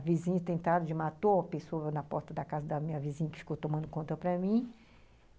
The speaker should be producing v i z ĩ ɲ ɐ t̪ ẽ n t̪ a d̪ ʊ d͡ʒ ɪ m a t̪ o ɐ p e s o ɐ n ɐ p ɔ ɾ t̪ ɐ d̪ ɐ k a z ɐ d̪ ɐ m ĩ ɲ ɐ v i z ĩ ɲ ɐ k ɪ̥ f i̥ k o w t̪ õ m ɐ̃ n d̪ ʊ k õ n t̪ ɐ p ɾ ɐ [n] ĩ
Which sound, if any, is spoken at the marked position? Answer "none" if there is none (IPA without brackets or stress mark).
m